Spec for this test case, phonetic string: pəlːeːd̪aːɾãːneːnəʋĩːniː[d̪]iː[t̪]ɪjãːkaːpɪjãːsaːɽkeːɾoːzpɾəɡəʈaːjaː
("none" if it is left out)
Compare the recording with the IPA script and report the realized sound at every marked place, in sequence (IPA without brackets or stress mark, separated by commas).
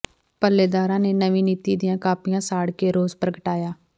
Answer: t̪, d̪